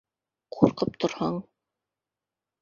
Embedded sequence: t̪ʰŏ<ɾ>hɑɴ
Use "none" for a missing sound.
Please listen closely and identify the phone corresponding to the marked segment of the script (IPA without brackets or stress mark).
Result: ɾ